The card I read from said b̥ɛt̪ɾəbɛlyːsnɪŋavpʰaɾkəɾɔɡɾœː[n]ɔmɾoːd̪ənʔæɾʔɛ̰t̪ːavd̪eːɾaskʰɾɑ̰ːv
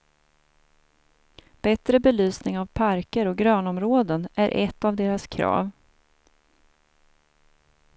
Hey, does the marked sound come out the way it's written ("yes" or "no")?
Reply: yes